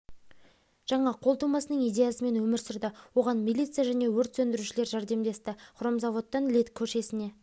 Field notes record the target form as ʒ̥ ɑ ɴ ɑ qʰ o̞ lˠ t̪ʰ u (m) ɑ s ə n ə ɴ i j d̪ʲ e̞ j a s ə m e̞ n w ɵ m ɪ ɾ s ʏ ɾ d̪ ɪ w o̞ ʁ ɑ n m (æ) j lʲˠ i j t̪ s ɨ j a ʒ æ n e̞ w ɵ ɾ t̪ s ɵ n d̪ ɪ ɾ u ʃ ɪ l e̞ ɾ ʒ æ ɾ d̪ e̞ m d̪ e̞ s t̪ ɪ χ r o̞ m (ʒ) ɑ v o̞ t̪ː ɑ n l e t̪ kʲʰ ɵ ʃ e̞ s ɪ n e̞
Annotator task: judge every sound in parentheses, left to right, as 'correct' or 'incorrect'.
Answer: correct, incorrect: i, incorrect: z

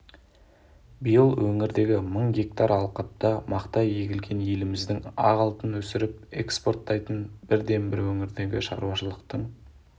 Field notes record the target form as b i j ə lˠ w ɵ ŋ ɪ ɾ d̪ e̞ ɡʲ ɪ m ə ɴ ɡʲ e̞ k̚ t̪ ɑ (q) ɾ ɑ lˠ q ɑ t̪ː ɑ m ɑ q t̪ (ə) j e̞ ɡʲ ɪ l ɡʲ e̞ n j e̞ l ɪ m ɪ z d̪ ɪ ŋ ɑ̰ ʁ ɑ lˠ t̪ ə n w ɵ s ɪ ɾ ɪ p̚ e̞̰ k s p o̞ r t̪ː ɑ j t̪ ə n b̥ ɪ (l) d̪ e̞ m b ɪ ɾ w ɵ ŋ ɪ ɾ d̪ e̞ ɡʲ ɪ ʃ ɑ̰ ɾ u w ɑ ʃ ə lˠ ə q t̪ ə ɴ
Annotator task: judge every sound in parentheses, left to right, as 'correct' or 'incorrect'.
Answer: incorrect: none, incorrect: ɑ, incorrect: ɾ

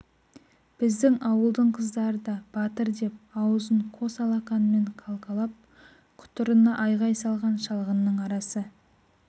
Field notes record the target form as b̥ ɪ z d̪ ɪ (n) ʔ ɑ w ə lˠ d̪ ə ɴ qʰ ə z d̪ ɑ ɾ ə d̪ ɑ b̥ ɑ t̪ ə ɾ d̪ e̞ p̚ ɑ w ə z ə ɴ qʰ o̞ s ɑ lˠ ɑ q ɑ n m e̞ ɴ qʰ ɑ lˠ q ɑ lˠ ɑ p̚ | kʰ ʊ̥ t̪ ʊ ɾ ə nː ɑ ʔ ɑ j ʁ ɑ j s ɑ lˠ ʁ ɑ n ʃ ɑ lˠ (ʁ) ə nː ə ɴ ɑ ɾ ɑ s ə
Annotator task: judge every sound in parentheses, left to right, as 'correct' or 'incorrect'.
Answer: incorrect: ŋ, correct

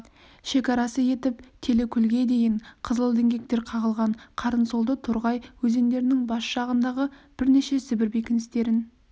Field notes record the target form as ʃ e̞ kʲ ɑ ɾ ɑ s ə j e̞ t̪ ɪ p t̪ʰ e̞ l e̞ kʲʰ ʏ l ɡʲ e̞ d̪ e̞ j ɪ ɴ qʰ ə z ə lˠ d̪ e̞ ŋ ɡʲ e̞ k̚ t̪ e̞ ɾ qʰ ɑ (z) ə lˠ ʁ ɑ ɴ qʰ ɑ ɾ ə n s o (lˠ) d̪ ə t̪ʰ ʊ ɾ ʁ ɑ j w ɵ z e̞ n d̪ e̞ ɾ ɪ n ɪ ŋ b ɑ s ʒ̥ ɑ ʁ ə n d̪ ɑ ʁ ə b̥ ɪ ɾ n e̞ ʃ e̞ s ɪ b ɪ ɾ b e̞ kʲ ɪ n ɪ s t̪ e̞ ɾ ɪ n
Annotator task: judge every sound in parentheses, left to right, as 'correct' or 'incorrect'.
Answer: incorrect: ʁ, correct

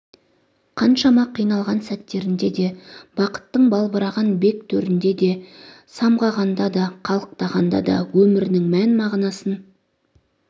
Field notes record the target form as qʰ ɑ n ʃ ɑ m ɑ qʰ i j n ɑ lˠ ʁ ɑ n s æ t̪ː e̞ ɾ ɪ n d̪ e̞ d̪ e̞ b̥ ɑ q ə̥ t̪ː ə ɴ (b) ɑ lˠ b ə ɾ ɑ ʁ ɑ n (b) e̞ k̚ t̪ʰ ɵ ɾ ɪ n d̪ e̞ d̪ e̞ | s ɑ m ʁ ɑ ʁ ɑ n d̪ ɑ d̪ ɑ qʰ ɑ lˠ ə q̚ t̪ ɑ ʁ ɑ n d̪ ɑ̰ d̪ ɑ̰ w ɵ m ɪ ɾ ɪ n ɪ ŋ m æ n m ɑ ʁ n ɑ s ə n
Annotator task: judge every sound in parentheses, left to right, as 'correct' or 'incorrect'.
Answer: correct, correct

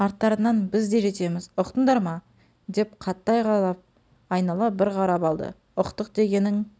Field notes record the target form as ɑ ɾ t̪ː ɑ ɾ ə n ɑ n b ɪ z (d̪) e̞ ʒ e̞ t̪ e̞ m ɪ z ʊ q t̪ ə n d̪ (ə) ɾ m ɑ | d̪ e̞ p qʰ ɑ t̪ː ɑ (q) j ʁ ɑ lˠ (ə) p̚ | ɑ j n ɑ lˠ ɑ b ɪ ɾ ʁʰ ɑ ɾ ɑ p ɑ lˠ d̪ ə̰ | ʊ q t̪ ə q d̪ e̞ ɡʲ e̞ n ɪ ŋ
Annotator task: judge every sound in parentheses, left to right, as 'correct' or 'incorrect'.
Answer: correct, incorrect: ɑ, incorrect: none, incorrect: ɑ

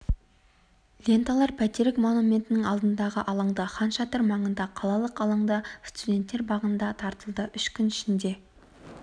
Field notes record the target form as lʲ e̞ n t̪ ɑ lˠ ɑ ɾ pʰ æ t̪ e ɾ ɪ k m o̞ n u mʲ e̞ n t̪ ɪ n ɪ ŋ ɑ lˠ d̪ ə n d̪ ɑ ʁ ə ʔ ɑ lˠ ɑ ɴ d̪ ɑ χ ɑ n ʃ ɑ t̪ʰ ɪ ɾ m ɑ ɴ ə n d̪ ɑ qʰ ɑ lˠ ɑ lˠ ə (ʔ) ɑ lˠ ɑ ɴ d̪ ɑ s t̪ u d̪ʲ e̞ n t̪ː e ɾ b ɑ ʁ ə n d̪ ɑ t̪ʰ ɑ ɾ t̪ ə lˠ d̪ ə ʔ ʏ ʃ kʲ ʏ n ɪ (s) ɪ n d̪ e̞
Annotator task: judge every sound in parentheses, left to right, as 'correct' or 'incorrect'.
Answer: incorrect: q, incorrect: ʃ

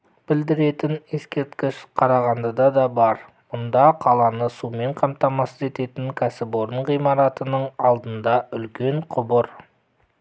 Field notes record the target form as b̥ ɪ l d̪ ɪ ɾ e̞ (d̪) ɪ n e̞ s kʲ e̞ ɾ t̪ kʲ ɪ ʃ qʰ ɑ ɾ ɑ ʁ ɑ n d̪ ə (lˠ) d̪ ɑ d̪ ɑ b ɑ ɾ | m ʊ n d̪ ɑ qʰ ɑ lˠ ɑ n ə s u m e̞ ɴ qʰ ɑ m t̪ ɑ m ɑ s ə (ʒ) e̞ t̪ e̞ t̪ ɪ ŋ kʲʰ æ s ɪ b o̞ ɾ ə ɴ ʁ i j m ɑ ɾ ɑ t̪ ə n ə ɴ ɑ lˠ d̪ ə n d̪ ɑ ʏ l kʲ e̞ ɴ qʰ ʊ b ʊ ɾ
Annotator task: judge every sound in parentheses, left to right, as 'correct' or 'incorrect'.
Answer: incorrect: t̪, incorrect: none, incorrect: z

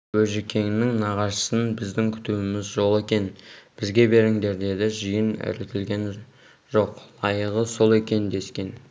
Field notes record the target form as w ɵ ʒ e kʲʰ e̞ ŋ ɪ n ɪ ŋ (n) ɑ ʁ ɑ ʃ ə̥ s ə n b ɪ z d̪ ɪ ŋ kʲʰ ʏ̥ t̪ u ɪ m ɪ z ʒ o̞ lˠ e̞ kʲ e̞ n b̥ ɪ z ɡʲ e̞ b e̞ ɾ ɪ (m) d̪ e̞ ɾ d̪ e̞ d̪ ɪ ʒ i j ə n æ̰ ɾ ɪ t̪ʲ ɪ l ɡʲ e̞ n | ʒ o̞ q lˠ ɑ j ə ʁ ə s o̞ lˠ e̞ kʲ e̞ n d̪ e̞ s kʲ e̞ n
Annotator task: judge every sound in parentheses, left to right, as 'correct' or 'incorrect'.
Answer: correct, incorrect: ŋ

